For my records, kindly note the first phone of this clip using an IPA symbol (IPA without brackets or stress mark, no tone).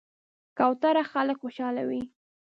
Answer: k